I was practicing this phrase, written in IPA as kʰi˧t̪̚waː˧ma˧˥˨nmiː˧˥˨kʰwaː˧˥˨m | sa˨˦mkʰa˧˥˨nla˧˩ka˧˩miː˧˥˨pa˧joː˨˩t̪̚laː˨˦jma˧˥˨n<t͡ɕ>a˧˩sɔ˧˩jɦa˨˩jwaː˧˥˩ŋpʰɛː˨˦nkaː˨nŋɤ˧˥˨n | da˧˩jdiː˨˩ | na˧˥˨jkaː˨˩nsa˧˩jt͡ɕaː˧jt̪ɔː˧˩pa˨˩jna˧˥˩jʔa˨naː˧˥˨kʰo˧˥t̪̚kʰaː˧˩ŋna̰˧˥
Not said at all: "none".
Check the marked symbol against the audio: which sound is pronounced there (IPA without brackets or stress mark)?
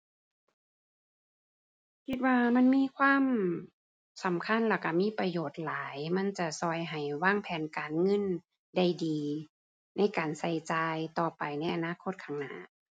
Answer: t͡ɕ